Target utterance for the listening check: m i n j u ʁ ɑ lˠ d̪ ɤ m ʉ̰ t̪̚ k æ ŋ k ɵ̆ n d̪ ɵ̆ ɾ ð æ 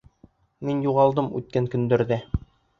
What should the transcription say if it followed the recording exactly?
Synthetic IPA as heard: m i n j u ʁ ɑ lˠ d̪ ɤ m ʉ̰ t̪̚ k æ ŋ k ɵ̆ n d̪ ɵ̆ ɾ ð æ